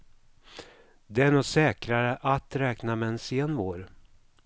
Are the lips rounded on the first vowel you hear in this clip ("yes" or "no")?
no